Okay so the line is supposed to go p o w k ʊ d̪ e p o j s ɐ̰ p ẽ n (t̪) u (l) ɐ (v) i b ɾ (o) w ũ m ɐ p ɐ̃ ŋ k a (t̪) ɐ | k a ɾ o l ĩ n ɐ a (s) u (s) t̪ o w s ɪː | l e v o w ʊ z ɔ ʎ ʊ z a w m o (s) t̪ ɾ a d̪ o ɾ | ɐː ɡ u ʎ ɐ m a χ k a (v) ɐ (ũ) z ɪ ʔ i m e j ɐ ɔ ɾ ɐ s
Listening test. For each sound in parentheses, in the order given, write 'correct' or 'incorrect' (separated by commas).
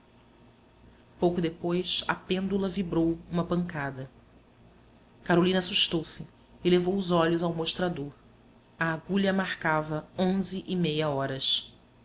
incorrect, correct, correct, correct, incorrect, correct, incorrect, incorrect, correct, incorrect